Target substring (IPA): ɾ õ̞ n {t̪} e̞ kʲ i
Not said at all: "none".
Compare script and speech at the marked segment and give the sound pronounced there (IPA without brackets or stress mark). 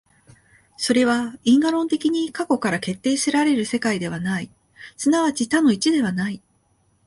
t̪